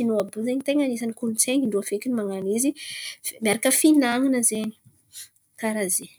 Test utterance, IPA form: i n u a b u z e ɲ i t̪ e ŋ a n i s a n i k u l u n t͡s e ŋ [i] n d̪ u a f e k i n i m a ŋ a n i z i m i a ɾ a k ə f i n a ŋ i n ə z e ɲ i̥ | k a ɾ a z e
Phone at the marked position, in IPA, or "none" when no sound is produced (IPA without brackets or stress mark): i